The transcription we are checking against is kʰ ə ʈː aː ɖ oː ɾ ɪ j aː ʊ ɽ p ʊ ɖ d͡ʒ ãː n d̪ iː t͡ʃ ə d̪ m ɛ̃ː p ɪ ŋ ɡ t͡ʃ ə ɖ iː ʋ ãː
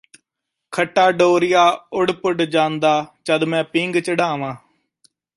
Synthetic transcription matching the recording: kʰ ə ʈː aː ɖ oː ɾ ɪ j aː ʊ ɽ p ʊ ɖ d͡ʒ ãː n d̪ aː t͡ʃ ə d̪ m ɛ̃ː p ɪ ŋ ɡ t͡ʃ ə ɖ aː ʋ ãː

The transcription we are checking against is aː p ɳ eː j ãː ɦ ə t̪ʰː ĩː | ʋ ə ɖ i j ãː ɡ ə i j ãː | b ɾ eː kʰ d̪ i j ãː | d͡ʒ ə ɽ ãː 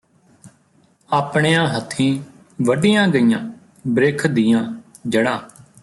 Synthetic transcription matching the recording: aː p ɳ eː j ãː ɦ ə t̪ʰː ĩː | ʋ ə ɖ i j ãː ɡ ə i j ãː | b ɾ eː kʰ d̪ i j ãː | d͡ʒ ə ɽ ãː

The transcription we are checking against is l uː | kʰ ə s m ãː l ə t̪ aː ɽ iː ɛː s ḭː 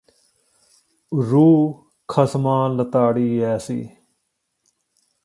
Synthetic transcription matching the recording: ɾ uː | kʰ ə s m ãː l ə t̪ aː ɽ iː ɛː s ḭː

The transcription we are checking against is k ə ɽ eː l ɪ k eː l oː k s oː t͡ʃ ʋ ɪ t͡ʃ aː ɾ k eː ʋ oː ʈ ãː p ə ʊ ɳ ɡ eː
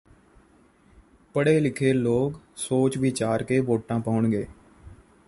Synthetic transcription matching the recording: p ə ɽ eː l ɪ kʰ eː l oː k s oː t͡ʃ ʋ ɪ t͡ʃ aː ɾ k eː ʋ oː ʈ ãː p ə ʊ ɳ ɡ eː

